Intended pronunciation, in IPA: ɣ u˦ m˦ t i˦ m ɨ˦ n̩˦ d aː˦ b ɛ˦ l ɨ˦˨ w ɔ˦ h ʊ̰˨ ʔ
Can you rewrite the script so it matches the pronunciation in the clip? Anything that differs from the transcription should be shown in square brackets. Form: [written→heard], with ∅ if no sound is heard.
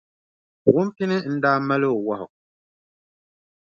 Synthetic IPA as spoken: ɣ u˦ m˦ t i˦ [m→n] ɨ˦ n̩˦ d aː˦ [b→m] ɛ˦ l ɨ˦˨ w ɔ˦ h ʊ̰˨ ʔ